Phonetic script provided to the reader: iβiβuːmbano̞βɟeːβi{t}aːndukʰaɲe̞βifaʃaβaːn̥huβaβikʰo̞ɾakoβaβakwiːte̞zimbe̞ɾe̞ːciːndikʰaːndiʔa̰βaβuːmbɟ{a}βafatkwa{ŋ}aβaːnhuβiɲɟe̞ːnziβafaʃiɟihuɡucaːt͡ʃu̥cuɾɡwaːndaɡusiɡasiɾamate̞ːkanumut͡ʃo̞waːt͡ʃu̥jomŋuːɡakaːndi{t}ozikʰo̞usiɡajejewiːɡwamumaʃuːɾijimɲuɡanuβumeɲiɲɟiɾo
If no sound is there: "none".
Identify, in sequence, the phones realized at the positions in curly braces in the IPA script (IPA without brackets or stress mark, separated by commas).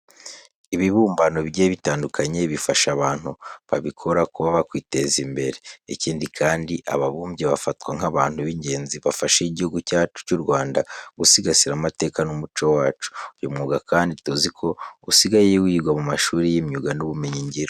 t, e, ŋ, t